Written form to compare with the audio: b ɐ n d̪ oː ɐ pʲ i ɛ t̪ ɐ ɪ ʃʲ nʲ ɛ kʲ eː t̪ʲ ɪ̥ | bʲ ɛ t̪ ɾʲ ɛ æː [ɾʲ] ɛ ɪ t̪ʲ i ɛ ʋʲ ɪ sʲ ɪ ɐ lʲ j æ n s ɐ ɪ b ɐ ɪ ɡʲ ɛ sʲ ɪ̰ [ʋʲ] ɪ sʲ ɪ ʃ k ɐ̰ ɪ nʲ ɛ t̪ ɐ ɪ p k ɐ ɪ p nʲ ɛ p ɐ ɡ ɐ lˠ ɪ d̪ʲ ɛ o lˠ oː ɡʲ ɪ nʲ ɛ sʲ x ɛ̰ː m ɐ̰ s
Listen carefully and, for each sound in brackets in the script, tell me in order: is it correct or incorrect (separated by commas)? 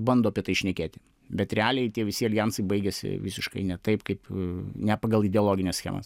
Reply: incorrect, correct